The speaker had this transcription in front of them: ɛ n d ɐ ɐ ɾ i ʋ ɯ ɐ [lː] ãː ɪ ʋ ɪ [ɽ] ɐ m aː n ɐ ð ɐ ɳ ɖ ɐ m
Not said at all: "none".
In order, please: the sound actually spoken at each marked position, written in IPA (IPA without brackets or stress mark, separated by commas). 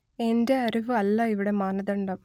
lː, ɽ